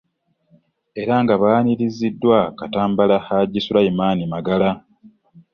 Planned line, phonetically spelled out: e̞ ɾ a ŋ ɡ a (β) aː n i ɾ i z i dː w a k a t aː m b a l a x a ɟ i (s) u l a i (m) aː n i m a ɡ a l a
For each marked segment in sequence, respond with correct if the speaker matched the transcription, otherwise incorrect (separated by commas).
correct, correct, correct